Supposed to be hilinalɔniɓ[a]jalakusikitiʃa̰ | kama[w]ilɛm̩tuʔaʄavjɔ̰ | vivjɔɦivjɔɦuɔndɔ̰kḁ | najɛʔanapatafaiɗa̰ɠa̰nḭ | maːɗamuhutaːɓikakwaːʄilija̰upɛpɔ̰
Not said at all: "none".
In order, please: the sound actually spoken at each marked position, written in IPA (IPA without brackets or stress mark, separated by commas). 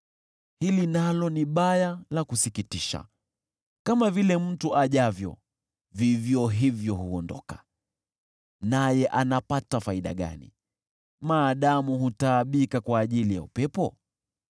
a, v